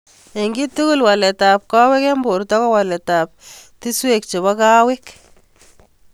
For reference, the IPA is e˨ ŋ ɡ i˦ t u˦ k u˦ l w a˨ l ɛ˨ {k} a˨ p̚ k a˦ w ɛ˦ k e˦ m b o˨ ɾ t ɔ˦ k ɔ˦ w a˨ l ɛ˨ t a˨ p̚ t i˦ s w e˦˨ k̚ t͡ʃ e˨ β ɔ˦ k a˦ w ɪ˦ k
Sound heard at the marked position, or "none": t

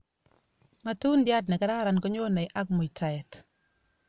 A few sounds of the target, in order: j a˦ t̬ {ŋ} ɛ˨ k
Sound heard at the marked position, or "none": n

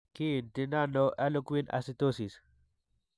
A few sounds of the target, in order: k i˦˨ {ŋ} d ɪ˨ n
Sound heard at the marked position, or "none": n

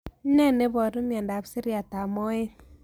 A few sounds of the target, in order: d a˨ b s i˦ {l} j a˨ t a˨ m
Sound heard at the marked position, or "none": ɾ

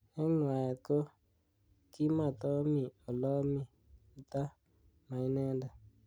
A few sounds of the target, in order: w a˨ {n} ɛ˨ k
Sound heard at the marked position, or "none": none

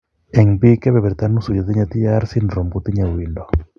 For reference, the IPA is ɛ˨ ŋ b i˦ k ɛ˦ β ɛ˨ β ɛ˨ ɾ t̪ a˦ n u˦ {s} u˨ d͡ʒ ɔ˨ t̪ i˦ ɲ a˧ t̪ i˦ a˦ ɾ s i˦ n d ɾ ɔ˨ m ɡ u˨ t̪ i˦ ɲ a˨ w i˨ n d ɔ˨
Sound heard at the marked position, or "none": s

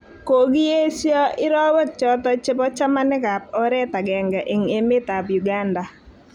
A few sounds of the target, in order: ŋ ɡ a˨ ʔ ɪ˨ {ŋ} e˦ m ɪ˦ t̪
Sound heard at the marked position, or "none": ŋ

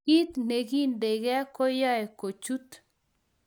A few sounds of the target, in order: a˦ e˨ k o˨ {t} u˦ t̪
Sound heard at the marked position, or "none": t͡ʃ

